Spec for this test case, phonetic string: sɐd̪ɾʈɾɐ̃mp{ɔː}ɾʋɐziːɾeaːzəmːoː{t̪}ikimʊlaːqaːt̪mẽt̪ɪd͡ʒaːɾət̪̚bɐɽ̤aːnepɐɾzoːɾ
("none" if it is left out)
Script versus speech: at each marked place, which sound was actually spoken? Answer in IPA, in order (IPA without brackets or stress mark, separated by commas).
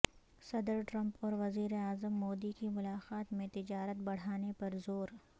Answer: ɔː, d̪